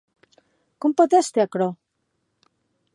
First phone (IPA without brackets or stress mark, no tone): k